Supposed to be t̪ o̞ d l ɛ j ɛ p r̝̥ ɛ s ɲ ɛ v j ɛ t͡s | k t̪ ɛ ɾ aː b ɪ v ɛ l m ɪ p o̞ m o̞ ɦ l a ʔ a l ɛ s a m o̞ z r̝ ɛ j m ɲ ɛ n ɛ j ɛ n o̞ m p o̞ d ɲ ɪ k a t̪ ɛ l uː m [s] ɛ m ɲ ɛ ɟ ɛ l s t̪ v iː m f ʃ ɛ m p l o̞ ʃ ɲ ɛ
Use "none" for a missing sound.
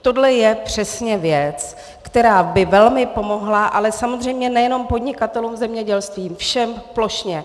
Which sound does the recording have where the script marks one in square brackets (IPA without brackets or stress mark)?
z